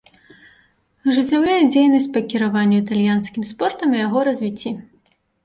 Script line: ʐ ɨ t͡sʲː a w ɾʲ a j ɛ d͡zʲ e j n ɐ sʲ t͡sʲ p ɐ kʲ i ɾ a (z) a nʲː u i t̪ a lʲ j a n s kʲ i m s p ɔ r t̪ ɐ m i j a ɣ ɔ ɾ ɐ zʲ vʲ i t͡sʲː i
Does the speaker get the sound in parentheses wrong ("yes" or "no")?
yes